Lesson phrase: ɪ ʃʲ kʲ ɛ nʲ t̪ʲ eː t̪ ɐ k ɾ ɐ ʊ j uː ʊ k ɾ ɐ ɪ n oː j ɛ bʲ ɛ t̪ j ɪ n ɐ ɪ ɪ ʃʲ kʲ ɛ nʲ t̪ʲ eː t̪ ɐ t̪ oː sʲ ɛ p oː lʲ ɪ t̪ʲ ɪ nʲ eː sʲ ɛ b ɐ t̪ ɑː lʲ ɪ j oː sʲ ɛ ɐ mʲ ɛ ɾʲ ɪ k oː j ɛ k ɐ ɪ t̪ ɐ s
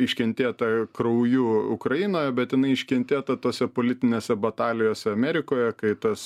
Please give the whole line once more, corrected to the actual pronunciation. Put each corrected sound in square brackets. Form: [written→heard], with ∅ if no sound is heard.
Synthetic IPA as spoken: ɪ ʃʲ kʲ ɛ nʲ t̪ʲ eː t̪ ɐ k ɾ ɐ ʊ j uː ʊ k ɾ ɐ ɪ n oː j ɛ bʲ ɛ t̪ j ɪ n ɐ ɪ ɪ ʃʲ kʲ ɛ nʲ t̪ʲ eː t̪ ɐ t̪ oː sʲ ɛ p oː lʲ ɪ t̪ʲ ɪ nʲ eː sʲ ɛ b ɐ t̪ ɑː lʲ ɪ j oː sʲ ɛ ɐ mʲ ɛ ɾʲ ɪ k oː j ɛ k ɐ ɪ t̪ ɐ s